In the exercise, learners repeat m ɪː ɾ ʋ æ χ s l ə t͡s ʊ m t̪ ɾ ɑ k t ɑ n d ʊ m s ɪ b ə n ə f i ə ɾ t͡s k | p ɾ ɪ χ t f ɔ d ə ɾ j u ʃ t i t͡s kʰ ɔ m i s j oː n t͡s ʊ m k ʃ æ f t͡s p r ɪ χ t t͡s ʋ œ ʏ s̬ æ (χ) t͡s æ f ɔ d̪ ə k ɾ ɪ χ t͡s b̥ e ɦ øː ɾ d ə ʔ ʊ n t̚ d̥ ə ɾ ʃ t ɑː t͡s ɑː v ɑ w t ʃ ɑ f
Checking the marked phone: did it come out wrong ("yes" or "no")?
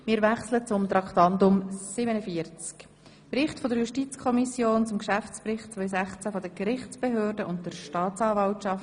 no